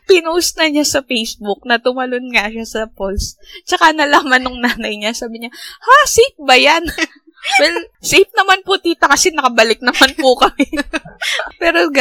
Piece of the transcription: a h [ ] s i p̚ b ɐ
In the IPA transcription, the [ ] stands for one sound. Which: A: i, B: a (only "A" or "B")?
B